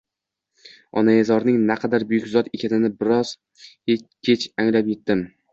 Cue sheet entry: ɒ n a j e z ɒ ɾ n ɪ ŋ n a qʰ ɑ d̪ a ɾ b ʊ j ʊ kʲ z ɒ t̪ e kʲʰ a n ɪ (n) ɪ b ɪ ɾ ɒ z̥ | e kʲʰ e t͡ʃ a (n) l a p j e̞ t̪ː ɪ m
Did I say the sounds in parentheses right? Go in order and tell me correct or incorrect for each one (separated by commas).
correct, incorrect